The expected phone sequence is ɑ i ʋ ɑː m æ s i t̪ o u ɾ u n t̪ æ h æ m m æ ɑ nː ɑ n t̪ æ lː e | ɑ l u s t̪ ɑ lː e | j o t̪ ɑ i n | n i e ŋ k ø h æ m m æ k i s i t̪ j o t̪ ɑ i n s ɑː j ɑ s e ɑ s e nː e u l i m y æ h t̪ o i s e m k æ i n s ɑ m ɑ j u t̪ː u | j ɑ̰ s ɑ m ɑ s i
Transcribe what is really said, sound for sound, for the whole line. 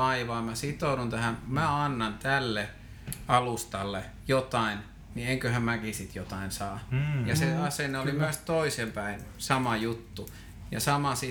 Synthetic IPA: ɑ i ʋ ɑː m æ s i t̪ o u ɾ u n t̪ æ h æ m m æ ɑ nː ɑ n t̪ æ lː e | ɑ l u s t̪ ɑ lː e | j o t̪ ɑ i n | n i e ŋ k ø h æ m m æ k i s i t̪ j o t̪ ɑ i n s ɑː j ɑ s e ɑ s e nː e o l i m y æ s t̪ o i s e m p æ i n s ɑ m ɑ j u t̪ː u | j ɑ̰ s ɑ m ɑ s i